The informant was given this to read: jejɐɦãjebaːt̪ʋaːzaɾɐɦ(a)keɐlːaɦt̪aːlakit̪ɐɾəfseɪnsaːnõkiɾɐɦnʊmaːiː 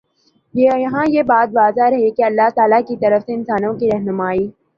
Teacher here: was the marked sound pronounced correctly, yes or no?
no